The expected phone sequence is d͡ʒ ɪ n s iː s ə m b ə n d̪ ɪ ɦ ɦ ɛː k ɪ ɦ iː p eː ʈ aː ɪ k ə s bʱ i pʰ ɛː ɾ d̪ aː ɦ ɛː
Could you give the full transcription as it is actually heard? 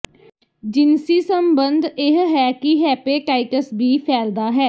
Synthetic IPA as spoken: d͡ʒ ɪ n s iː s ə m b ə n d̪ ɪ ɦ ɦ ɛː k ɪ ɦ ɛː p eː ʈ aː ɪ k ə s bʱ iː pʰ ɛː l d̪ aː ɦ ɛː